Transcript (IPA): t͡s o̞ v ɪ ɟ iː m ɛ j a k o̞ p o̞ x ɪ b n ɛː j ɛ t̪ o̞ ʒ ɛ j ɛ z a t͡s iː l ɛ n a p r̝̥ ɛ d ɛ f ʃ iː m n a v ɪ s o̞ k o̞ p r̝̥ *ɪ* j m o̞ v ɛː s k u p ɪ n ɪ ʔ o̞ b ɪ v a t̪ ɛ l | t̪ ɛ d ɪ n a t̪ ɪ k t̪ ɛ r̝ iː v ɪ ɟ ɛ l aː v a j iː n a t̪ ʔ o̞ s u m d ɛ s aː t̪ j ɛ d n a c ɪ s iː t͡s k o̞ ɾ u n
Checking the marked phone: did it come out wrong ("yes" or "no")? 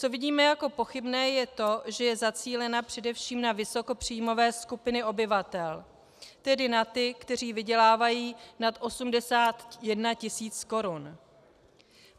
yes